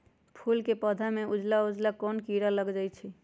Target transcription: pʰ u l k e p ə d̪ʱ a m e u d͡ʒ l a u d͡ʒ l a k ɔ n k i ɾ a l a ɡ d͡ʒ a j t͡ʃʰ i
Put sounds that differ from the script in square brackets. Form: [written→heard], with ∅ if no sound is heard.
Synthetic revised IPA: pʰ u l k e p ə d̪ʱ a m e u d͡ʒ l a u d͡ʒ l a k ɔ n k i ɾ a l [a→ə] ɡ d͡ʒ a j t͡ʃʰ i

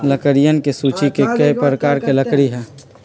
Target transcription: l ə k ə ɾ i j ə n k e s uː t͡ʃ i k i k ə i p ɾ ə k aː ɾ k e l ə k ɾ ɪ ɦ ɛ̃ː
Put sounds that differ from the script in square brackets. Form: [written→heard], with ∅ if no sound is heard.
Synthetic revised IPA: l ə k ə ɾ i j ə n k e s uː t͡ʃ i k [i→e] k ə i p ɾ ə k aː ɾ k e l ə k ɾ [ɪ→i] ɦ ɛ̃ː

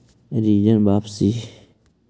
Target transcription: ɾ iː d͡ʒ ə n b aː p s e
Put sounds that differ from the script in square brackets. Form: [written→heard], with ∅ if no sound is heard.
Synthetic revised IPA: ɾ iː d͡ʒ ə n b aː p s [e→i]

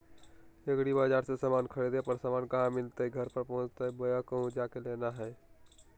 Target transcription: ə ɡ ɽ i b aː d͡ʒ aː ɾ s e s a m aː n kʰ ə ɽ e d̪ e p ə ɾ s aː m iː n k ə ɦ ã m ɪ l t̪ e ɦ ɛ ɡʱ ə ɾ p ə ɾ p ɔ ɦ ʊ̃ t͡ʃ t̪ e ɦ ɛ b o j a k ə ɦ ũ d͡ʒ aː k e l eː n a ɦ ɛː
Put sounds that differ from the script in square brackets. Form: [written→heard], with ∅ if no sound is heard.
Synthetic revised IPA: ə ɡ ɽ i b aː d͡ʒ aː ɾ s e s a m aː n kʰ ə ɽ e d̪ e p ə ɾ s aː m [iː→aː] n k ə ɦ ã m ɪ l t̪ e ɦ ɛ ɡʱ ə ɾ p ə ɾ p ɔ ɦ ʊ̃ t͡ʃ t̪ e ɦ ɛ b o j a k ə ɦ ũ d͡ʒ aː k e l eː n a ɦ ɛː

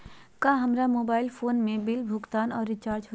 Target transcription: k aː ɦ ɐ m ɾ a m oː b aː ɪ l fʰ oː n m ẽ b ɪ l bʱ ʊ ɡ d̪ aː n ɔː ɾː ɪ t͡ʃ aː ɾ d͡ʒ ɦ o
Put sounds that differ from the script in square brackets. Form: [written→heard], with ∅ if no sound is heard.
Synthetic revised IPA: k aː ɦ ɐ m ɾ a m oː b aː ɪ l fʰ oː n m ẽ b ɪ l bʱ ʊ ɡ [d̪→t̪] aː n ɔː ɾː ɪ t͡ʃ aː ɾ d͡ʒ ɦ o

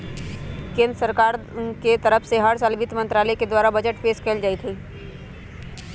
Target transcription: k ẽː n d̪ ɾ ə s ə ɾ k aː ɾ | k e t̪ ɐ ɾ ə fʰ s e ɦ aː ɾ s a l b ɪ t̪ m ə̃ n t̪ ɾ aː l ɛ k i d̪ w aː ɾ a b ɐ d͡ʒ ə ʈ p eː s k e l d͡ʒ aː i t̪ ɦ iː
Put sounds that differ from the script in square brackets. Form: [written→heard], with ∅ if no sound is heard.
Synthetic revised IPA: k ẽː n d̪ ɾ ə s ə ɾ k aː ɾ | k e t̪ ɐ ɾ ə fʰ s e ɦ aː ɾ s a l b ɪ t̪ m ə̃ n t̪ ɾ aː l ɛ k [i→e] d̪ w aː ɾ a b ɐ d͡ʒ ə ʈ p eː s k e l d͡ʒ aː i t̪ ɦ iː

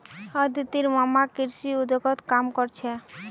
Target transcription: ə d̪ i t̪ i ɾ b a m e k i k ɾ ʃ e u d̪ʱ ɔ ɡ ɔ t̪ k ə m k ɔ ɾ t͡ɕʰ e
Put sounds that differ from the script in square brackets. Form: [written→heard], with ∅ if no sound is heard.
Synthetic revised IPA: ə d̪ i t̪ i ɾ [b→m] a m [e→a] k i [k→∅] ɾ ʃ [e→i] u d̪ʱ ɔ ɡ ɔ t̪ k [ə→a] m k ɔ ɾ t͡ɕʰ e

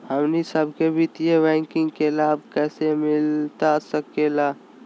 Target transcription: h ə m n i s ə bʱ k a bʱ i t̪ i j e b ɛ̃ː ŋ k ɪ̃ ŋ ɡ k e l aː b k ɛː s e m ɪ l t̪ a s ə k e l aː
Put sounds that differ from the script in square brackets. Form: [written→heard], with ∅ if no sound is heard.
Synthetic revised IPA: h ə m n i s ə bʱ k [a→e] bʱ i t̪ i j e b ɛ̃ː ŋ k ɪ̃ ŋ ɡ k e l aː b k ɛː s e m ɪ l t̪ a s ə k e l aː

